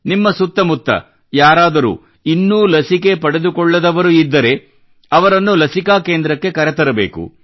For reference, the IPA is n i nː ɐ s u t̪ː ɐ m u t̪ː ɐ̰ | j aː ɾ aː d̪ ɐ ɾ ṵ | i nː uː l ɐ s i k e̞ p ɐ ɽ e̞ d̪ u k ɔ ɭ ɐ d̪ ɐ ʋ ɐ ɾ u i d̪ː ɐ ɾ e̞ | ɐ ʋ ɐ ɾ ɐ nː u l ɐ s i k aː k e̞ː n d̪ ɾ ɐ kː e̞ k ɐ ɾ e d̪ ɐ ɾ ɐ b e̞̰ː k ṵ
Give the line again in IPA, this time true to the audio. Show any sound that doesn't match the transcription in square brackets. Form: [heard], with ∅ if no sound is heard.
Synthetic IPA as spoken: n i [mː] ɐ s u t̪ː ɐ m u t̪ː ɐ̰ | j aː ɾ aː d̪ ɐ ɾ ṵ | i nː uː l ɐ s i k e̞ p ɐ ɽ e̞ d̪ u k ɔ [ɭː] ɐ d̪ ɐ ʋ ɐ ɾ u i d̪ː ɐ ɾ e̞ | ɐ ʋ ɐ ɾ ɐ nː u l ɐ s i k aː k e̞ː n d̪ ɾ ɐ kː e̞ k ɐ ɾ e [t̪] ɐ ɾ ɐ b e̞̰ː k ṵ